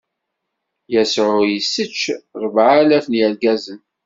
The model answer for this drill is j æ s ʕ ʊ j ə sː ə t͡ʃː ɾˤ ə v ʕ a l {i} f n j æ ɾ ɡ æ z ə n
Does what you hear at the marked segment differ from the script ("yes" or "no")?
yes